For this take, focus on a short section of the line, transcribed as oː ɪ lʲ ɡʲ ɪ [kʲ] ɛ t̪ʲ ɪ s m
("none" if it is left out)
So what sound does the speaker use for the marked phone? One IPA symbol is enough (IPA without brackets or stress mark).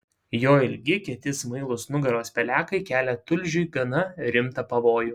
kʲ